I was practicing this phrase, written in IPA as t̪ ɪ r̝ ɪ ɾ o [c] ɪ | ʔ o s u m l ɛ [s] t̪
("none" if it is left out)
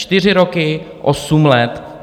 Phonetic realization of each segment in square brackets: k, none

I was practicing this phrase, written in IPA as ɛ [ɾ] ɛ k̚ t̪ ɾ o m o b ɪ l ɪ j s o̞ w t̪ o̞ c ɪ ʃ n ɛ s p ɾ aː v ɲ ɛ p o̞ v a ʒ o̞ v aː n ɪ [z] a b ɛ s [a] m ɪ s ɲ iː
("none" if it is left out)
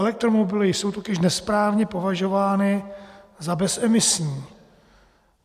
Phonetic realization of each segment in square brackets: l, z, ɛ

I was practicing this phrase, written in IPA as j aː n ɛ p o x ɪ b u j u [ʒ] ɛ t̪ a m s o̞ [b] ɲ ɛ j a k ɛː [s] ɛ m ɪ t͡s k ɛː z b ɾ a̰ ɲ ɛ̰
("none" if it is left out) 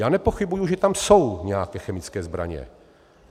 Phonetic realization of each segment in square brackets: ʒ, w, x

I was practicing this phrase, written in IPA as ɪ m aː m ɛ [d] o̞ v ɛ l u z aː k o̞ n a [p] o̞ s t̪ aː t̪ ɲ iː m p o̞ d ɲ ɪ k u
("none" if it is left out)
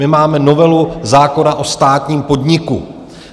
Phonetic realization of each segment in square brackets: n, ʔ

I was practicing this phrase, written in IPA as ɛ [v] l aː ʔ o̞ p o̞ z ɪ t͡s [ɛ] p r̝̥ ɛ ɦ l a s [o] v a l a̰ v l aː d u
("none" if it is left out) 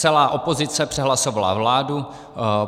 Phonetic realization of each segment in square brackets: none, ɛ, o

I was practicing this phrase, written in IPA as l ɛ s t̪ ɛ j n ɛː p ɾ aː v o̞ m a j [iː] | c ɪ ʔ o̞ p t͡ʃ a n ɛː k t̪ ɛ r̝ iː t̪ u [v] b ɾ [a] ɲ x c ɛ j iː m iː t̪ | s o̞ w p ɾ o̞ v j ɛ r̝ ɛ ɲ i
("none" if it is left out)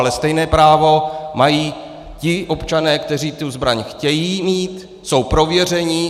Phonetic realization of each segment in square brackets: iː, z, a

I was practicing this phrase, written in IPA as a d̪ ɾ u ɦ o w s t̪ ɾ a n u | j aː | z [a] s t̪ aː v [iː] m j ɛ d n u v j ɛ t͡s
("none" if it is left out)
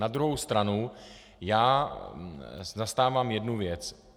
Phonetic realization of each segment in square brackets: a, aː

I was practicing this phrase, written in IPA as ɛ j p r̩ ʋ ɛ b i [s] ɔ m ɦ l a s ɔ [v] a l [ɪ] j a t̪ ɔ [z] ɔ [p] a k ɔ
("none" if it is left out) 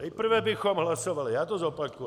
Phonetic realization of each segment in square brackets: x, ʋ, i, z, p

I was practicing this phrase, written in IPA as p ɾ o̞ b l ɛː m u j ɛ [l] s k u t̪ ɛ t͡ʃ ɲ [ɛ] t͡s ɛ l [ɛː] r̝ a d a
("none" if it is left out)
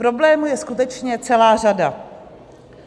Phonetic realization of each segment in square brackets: none, ɛ, aː

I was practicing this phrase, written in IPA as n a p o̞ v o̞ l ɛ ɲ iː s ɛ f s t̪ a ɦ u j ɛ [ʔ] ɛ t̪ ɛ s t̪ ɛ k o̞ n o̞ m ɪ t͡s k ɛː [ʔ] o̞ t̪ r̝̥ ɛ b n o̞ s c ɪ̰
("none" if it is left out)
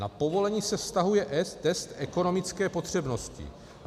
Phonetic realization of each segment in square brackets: ʔ, p

